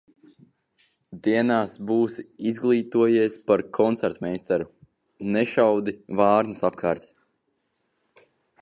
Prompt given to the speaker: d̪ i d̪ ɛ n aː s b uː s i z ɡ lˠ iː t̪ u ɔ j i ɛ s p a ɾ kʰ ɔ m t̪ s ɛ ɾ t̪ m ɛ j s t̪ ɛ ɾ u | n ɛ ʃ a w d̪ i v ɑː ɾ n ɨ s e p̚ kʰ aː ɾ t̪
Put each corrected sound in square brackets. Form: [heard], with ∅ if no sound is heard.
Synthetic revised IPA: d̪ i [∅] ɛ n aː s b uː s i z ɡ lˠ iː t̪ u ɔ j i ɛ s p a ɾ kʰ ɔ [n] t̪ s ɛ ɾ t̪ m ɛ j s t̪ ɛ ɾ u | n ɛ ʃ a w d̪ i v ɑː ɾ n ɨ s [a] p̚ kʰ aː ɾ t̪